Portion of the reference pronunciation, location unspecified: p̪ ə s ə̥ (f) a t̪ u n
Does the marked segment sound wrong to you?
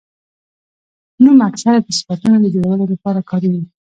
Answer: no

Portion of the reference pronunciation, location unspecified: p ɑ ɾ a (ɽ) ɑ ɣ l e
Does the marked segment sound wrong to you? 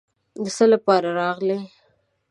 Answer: yes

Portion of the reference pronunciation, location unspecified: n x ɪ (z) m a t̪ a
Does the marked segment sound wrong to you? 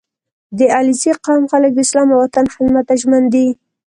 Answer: no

